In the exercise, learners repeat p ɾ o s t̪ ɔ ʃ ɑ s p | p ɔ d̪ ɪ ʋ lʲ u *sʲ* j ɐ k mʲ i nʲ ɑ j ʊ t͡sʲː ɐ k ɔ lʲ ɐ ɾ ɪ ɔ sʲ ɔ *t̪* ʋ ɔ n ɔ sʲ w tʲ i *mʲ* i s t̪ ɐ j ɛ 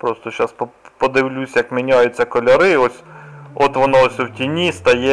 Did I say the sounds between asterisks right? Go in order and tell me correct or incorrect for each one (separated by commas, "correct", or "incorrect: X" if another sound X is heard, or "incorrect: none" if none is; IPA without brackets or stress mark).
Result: correct, correct, incorrect: nʲ